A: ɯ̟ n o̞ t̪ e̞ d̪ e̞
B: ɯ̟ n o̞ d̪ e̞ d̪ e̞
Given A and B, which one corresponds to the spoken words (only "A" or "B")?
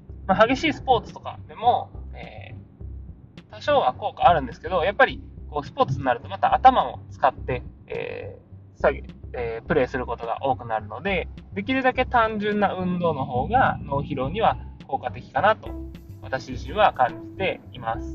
B